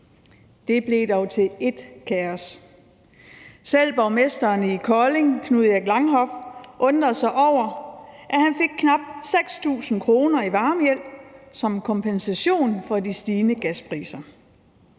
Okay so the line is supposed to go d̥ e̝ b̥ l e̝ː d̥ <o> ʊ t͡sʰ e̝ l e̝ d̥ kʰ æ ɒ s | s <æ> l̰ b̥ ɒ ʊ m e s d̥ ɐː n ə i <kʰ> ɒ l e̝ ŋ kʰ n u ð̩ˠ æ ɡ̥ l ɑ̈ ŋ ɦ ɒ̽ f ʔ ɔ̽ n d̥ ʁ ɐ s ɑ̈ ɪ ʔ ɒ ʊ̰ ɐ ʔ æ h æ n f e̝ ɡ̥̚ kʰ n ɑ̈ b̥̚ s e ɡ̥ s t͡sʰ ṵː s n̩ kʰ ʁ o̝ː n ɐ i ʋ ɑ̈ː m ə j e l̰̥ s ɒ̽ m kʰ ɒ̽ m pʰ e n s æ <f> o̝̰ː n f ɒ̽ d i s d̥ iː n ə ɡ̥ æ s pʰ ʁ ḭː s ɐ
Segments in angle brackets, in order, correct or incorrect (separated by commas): incorrect, incorrect, correct, incorrect